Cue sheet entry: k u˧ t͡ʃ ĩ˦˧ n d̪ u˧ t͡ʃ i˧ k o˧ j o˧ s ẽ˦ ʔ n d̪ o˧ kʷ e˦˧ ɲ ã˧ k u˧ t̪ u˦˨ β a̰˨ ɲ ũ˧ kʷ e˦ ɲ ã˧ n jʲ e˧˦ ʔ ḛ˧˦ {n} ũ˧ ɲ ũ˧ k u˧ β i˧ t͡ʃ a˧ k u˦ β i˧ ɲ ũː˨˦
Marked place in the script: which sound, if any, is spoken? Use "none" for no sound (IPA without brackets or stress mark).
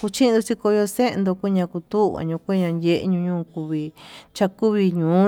ɲ